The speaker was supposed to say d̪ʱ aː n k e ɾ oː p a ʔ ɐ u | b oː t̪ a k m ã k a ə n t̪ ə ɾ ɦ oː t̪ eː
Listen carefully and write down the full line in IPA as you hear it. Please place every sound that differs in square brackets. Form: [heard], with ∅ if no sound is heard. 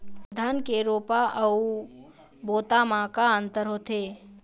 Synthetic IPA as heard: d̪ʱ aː n k e ɾ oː p a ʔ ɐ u | b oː t̪ a [∅] m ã k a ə n t̪ ə ɾ ɦ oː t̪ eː